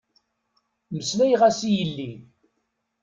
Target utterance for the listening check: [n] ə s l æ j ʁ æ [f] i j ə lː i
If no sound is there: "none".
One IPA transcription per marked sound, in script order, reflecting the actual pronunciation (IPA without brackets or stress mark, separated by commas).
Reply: m, s